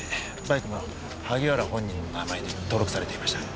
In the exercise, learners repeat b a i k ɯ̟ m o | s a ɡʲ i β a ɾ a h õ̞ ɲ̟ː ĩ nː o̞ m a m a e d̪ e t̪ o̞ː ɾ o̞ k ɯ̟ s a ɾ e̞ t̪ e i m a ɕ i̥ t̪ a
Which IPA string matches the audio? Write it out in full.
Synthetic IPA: b a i k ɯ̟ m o | h a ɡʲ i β a ɾ a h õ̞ ɲ̟ː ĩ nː o̞ n a m a e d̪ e t̪ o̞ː ɾ o̞ k ɯ̟ s a ɾ e̞ t̪ e i m a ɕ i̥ t̪ a